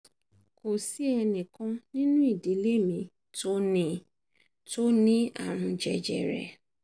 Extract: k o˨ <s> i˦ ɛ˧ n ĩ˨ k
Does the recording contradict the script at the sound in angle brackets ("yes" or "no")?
no